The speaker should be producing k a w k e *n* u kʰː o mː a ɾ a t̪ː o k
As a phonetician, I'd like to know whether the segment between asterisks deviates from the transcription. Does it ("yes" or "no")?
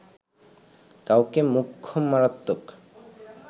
yes